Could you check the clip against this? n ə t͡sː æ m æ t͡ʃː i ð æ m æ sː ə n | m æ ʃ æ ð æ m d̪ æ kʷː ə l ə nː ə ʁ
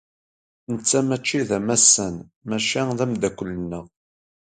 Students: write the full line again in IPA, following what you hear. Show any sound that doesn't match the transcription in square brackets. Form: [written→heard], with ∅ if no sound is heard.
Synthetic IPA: n ə t͡sː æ m æ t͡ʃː i ð æ m æ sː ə n | m æ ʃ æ ð æ m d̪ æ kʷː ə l ə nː ə ʁ